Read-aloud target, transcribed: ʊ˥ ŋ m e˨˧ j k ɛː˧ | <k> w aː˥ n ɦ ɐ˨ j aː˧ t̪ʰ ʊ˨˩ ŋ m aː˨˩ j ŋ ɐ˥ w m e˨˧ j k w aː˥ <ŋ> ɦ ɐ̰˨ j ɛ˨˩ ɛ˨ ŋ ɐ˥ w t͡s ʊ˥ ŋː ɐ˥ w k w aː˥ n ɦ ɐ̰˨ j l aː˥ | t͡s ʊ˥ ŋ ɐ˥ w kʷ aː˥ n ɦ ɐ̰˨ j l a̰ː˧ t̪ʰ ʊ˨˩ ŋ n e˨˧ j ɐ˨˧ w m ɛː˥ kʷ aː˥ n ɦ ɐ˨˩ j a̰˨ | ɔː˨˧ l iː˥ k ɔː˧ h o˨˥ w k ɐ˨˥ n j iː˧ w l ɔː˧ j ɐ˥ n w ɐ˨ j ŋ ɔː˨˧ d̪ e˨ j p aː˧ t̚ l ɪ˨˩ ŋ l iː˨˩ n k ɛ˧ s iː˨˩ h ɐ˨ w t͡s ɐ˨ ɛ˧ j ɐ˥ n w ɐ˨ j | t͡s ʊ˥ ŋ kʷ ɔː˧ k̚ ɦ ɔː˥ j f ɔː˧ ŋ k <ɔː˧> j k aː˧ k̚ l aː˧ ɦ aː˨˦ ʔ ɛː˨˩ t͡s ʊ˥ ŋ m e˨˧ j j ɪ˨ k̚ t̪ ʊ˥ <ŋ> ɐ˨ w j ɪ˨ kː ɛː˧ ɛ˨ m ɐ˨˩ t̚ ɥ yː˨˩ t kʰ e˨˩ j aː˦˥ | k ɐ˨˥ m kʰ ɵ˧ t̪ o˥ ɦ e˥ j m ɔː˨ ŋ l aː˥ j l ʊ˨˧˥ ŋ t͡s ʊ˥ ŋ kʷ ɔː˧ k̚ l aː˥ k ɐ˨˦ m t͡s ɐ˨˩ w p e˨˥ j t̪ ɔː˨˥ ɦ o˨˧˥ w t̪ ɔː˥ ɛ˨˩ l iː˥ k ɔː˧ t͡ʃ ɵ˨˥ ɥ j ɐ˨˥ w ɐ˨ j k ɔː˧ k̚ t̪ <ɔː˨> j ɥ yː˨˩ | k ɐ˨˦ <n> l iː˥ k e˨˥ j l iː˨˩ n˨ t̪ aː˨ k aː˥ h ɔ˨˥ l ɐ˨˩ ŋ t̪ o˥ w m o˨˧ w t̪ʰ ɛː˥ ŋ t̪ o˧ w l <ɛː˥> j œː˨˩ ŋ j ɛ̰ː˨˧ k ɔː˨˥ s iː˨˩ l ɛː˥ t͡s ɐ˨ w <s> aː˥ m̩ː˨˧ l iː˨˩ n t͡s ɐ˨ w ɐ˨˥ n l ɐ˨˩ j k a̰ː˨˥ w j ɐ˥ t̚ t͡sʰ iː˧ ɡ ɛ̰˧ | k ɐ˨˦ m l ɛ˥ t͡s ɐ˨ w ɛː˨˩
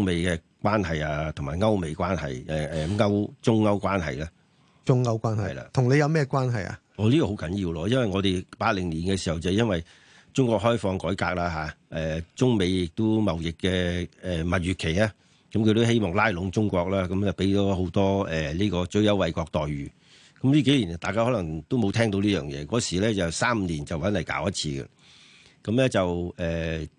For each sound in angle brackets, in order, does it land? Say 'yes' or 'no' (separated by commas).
yes, no, no, no, yes, no, no, yes